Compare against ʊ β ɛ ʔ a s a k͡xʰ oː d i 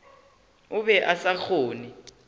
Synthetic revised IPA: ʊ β ɛ ʔ a s a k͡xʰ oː n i